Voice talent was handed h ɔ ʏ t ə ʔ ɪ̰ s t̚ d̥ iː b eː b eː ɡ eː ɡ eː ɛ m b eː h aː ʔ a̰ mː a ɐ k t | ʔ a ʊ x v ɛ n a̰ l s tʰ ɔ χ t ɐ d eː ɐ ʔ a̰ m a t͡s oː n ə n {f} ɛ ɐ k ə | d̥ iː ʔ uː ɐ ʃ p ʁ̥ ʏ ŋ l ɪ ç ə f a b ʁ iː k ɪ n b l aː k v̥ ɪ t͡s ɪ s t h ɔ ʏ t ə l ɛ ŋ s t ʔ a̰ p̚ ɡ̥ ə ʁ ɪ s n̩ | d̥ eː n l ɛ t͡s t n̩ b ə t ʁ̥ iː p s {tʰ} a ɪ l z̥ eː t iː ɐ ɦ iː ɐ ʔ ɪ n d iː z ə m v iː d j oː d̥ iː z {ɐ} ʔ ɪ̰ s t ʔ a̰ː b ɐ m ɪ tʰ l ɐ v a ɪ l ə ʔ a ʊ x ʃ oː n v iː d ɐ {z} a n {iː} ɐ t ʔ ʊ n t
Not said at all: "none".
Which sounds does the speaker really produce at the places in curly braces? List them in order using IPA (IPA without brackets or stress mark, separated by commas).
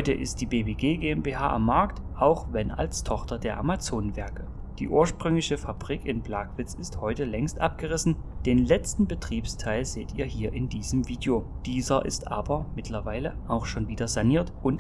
v, tʰ, ɐ, z, iː